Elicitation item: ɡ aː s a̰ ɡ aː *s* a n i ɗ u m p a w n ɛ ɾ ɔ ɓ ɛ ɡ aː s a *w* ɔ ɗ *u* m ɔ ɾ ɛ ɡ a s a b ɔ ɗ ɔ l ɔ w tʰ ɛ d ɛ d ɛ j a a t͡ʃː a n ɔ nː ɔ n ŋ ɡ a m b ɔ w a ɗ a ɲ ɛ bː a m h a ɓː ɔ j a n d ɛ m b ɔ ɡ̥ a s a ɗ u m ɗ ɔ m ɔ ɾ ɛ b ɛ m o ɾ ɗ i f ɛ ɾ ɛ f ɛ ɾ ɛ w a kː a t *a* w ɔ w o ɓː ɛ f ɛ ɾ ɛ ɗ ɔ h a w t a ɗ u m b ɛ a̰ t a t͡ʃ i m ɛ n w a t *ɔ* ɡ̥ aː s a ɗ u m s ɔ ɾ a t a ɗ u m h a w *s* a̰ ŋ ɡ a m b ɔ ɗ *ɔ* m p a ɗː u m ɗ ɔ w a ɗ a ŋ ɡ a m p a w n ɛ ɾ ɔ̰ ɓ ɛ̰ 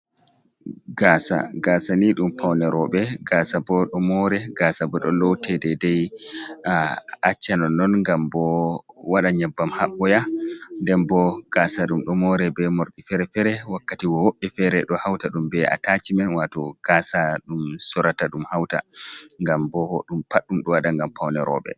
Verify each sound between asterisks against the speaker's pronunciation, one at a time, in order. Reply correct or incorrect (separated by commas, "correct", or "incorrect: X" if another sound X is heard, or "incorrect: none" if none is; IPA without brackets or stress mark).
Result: correct, incorrect: b, incorrect: ɔ, incorrect: i, correct, incorrect: t, incorrect: u